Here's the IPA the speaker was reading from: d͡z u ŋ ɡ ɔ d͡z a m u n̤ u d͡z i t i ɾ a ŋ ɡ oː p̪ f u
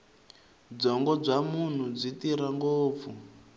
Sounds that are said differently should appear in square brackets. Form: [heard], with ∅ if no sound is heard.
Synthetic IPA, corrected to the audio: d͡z [ɔ] ŋ ɡ ɔ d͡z a m u n̤ u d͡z i t i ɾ a ŋ ɡ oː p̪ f u